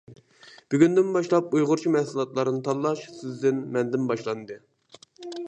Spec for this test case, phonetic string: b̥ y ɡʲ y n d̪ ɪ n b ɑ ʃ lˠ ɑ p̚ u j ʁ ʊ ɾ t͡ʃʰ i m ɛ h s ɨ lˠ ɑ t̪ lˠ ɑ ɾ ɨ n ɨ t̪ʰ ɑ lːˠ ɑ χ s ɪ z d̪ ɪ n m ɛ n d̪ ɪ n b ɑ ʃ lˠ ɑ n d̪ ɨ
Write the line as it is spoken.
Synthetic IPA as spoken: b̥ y ɡʲ y n d̪ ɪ n b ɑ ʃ lˠ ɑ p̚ u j ʁ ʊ ɾ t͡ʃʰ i m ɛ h s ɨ lˠ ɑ t̪ lˠ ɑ ɾ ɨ n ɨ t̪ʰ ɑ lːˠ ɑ ʃ s ɪ z d̪ ɪ n m ɛ n d̪ ɪ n b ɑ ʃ lˠ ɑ n d̪ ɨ